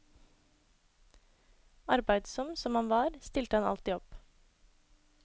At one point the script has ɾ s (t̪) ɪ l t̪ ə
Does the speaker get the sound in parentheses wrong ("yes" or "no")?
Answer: no